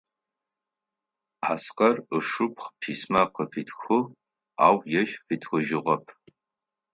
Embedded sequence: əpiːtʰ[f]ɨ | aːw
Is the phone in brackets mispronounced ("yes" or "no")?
yes